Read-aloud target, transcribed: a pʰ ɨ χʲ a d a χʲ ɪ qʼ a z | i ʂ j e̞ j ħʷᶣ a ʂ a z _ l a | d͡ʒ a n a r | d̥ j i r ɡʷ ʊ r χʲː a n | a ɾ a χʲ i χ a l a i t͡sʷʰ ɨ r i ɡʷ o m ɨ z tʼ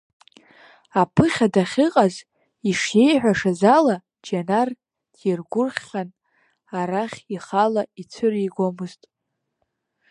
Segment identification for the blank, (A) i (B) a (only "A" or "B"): B